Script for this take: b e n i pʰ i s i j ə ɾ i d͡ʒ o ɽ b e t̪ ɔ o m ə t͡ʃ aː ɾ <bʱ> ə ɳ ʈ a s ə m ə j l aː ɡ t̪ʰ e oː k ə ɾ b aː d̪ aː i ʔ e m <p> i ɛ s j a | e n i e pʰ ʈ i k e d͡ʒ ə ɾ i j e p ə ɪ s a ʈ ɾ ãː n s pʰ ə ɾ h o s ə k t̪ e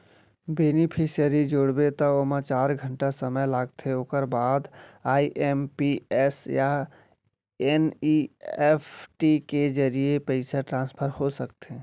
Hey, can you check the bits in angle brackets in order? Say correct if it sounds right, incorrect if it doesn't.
incorrect, correct

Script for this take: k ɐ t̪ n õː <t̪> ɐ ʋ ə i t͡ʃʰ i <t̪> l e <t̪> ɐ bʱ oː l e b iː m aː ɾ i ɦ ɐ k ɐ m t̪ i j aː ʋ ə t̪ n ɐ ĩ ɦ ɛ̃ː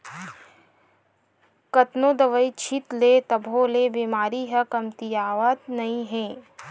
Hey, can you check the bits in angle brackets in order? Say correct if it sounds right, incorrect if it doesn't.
incorrect, correct, correct

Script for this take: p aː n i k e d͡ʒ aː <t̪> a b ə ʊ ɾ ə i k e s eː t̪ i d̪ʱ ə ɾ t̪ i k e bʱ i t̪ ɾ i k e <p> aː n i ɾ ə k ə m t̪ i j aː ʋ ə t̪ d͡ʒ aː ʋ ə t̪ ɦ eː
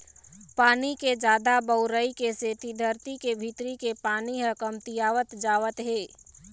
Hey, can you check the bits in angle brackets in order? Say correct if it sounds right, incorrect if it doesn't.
incorrect, correct

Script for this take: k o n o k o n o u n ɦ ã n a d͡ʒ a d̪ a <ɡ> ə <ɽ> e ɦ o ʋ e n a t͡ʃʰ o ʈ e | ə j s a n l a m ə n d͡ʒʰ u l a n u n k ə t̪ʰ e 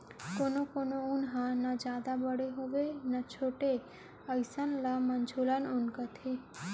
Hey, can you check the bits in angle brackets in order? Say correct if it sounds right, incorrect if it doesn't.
incorrect, correct

